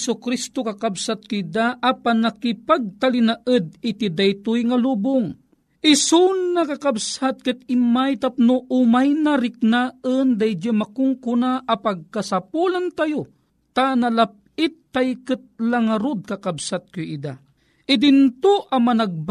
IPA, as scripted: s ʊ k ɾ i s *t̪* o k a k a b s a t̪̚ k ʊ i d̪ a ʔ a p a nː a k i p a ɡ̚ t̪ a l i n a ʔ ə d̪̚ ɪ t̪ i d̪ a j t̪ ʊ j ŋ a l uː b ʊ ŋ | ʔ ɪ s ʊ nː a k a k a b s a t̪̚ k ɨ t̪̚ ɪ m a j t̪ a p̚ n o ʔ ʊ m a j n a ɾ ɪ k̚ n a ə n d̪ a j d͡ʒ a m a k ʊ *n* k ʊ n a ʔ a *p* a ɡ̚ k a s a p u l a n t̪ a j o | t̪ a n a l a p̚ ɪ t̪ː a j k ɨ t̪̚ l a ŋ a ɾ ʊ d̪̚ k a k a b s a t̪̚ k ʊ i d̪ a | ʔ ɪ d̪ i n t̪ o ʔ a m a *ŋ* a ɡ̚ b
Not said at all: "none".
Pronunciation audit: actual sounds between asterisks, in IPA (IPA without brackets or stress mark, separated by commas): t̪, ŋ, p, n